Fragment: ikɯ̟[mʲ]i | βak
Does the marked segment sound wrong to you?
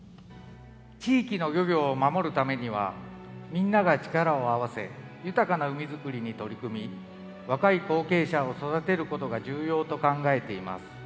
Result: no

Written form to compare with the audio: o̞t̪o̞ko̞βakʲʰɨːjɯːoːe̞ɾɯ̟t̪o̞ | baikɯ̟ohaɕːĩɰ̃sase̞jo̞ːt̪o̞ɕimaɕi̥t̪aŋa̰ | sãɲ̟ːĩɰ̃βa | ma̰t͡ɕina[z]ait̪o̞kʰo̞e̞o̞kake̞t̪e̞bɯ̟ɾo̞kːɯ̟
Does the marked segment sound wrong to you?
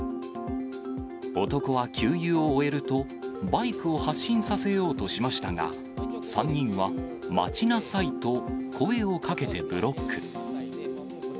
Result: yes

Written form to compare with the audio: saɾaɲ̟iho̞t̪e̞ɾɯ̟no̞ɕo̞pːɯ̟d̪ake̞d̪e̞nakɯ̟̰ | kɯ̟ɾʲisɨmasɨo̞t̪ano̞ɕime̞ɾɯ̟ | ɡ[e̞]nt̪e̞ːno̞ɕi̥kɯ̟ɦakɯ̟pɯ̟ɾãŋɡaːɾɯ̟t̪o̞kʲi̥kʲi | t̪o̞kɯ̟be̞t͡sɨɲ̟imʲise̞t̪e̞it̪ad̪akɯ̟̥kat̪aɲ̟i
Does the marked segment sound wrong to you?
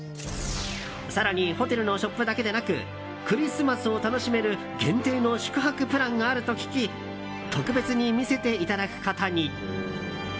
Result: yes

